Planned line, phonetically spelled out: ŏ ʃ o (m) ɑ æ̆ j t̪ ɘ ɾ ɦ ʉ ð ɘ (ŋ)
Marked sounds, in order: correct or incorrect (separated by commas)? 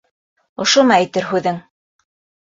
correct, correct